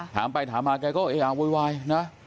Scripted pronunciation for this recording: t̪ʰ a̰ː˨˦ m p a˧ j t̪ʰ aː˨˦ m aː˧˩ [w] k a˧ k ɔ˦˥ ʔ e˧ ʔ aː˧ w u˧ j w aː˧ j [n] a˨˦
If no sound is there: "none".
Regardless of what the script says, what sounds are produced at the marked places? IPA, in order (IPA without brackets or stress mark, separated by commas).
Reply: none, n